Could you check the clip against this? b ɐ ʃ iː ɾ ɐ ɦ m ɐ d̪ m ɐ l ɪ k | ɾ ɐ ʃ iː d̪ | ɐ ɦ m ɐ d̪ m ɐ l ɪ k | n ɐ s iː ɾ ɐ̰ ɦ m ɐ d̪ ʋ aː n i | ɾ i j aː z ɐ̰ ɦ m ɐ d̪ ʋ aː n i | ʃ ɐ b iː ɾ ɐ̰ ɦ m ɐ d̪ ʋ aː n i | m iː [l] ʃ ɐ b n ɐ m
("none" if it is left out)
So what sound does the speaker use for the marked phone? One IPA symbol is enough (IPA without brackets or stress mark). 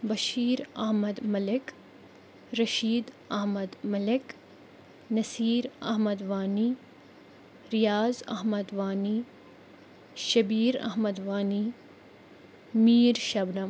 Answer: ɾ